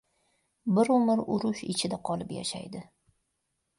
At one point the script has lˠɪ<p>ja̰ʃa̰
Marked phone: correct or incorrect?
correct